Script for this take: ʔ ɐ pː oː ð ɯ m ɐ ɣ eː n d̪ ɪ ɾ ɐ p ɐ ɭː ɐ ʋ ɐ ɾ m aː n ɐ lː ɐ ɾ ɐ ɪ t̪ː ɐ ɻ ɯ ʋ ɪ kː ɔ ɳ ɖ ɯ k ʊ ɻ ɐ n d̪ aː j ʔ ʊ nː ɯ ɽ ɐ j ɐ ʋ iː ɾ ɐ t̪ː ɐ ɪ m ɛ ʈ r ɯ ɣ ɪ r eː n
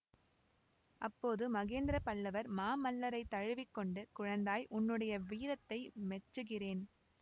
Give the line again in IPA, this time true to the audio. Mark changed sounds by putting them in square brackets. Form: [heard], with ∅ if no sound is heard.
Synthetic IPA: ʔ ɐ pː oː ð ɯ m ɐ ɣ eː n d̪ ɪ ɾ ɐ p ɐ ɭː ɐ ʋ ɐ ɾ m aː [m] ɐ lː ɐ ɾ ɐ ɪ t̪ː ɐ ɻ ɯ ʋ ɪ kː ɔ ɳ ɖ ɯ k ʊ ɻ ɐ n d̪ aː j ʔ ʊ nː ɯ ɽ ɐ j ɐ ʋ iː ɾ ɐ t̪ː ɐ ɪ m ɛ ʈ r ɯ ɣ ɪ r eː n

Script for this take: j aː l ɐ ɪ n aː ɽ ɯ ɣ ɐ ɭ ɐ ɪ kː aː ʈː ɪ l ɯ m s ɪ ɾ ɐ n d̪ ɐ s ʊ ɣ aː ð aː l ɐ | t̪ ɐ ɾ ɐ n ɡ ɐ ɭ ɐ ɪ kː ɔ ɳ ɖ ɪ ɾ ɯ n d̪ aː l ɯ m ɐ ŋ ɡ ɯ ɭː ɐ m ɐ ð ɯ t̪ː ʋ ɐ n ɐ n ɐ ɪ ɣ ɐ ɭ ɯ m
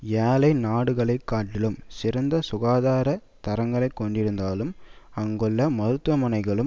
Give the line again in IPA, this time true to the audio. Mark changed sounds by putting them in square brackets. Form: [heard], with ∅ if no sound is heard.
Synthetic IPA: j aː l ɐ ɪ n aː ɽ ɯ ɣ ɐ ɭ ɐ ɪ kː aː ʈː ɪ l ɯ m s ɪ ɾ ɐ n d̪ ɐ s ʊ ɣ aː ð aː [ɾ] ɐ | t̪ ɐ ɾ ɐ [ŋ] ɡ ɐ ɭ ɐ ɪ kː ɔ ɳ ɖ ɪ ɾ ɯ n d̪ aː l ɯ m ɐ ŋ ɡ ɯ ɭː ɐ m ɐ ð ɯ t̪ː ʋ ɐ [m] ɐ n ɐ ɪ ɣ ɐ ɭ ɯ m

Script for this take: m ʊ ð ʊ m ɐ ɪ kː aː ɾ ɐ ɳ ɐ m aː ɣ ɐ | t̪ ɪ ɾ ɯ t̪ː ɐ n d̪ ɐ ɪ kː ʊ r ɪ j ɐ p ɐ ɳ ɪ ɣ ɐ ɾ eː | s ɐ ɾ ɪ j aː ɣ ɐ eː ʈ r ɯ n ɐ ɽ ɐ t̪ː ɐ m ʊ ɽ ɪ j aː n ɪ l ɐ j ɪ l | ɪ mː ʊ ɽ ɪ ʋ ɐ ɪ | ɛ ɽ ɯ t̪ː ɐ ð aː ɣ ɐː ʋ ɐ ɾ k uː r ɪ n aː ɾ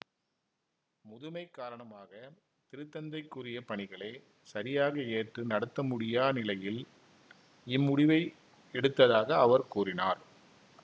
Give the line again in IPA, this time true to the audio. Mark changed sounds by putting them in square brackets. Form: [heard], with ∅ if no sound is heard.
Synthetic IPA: m ʊ ð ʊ m ɐ ɪ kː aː ɾ ɐ ɳ ɐ m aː ɣ ɐ | t̪ ɪ ɾ ɯ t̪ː ɐ n d̪ ɐ ɪ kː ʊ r ɪ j ɐ p ɐ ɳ ɪ ɣ ɐ [ɭ] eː | s ɐ ɾ ɪ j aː ɣ ɐ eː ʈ r ɯ n ɐ ɽ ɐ t̪ː ɐ m ʊ ɽ ɪ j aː n ɪ l ɐ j ɪ l | ɪ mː ʊ ɽ ɪ ʋ ɐ ɪ | ɛ ɽ ɯ t̪ː ɐ ð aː ɣ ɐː ʋ ɐ ɾ k uː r ɪ n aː ɾ

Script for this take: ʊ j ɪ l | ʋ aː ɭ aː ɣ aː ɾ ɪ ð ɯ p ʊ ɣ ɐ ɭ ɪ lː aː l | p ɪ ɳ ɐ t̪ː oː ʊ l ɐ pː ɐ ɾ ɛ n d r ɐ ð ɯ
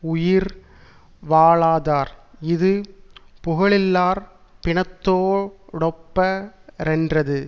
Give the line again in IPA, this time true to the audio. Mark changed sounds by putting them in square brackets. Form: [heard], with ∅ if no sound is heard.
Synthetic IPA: ʊ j ɪ [ɾ] | ʋ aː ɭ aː [ð] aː ɾ ɪ ð ɯ p ʊ ɣ ɐ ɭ ɪ lː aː [ɾ] | p ɪ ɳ ɐ t̪ː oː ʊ [ɽ] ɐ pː ɐ ɾ ɛ n d r ɐ ð ɯ

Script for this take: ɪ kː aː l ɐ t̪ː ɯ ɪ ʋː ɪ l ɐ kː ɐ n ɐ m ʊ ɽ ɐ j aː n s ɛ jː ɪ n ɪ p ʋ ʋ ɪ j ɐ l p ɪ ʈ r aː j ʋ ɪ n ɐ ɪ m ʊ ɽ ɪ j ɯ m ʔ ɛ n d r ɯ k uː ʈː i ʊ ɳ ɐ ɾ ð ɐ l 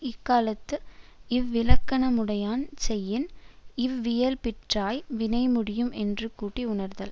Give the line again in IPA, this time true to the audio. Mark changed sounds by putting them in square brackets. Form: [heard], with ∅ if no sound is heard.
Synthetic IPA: ɪ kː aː l ɐ t̪ː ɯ ɪ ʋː ɪ l ɐ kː ɐ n ɐ m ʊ ɽ ɐ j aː n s ɛ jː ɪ n ɪ [∅] ʋ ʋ ɪ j ɐ l p ɪ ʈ r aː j ʋ ɪ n ɐ ɪ m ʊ ɽ ɪ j ɯ m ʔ ɛ n d r ɯ k uː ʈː i ʊ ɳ ɐ ɾ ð ɐ l

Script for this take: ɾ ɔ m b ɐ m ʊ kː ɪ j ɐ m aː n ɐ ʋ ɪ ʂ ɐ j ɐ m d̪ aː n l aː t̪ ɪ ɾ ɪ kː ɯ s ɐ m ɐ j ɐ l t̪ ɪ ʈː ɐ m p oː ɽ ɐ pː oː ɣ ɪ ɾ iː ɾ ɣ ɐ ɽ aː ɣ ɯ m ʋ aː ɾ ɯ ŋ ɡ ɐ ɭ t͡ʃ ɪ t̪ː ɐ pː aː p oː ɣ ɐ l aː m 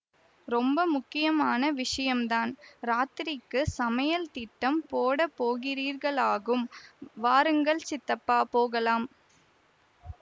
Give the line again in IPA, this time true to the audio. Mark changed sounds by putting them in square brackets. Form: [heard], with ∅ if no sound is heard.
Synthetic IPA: ɾ ɔ m b ɐ m ʊ kː ɪ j ɐ m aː n ɐ ʋ ɪ ʂ ɐ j ɐ m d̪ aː n [ɾ] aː t̪ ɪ ɾ ɪ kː ɯ s ɐ m ɐ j ɐ l t̪ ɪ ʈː ɐ m p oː ɽ ɐ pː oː ɣ ɪ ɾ iː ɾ ɣ ɐ [ɭ] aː ɣ ɯ m ʋ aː ɾ ɯ ŋ ɡ ɐ ɭ t͡ʃ ɪ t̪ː ɐ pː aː p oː ɣ ɐ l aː m

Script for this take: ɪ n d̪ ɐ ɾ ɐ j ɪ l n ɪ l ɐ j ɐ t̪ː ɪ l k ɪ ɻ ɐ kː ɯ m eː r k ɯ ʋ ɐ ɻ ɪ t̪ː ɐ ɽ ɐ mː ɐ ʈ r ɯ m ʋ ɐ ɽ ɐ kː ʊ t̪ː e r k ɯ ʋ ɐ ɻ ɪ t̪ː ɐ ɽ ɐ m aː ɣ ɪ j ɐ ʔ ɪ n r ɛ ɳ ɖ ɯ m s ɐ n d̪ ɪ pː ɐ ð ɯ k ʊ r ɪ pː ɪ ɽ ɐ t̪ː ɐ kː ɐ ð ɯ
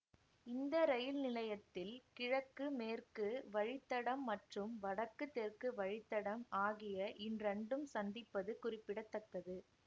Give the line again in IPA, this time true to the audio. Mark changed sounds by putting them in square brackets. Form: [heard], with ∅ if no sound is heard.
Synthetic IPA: ɪ n d̪ ɐ ɾ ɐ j ɪ l n ɪ l ɐ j ɐ t̪ː ɪ l k ɪ ɻ ɐ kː ɯ m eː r k ɯ ʋ ɐ ɻ ɪ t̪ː ɐ ɽ ɐ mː ɐ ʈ r ɯ m ʋ ɐ ɽ ɐ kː [ɯ] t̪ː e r k ɯ ʋ ɐ ɻ ɪ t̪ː ɐ ɽ ɐ m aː ɣ ɪ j ɐ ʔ ɪ n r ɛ ɳ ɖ ɯ m s ɐ n d̪ ɪ pː ɐ ð ɯ k ʊ r ɪ pː ɪ ɽ ɐ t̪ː ɐ kː ɐ ð ɯ

